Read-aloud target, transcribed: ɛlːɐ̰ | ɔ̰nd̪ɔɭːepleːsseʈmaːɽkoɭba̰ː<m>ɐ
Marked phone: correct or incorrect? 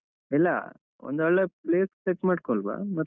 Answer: correct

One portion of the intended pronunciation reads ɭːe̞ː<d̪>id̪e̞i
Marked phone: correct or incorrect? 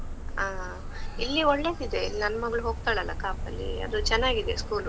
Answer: correct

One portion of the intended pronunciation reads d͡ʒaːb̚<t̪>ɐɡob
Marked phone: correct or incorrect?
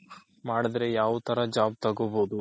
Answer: correct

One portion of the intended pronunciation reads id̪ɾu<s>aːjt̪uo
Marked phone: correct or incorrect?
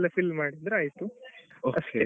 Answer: incorrect: none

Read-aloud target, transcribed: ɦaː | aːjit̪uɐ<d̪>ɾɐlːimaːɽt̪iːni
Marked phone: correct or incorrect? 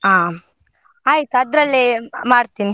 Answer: correct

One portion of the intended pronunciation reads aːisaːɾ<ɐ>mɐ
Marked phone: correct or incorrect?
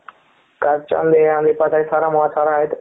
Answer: incorrect: a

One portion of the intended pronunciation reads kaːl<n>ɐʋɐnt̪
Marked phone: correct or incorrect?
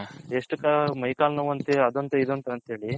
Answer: correct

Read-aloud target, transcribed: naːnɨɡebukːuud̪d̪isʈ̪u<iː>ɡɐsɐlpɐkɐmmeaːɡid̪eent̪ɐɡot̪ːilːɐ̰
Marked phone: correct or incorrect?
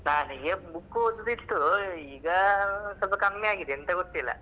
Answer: correct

